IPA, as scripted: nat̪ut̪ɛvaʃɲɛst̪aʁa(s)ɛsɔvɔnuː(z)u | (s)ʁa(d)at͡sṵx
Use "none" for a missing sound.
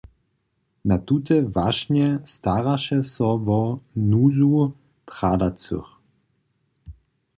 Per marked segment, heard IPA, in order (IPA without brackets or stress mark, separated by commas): ʃ, z, t, d